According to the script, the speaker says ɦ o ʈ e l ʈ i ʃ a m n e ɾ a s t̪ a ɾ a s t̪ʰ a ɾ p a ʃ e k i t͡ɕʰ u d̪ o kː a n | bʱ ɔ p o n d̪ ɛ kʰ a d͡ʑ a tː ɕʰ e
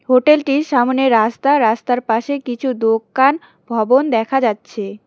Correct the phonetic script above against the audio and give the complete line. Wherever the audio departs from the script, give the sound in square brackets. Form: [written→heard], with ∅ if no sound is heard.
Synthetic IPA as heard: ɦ o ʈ e l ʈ i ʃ a m n e ɾ a s t̪ a ɾ a s [t̪ʰ→t̪] a ɾ p a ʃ e k i t͡ɕʰ u d̪ o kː a n | bʱ ɔ [p→b] o n d̪ ɛ kʰ a d͡ʑ a tː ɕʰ e